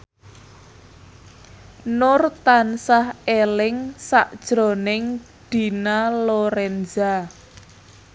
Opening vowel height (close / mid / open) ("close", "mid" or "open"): close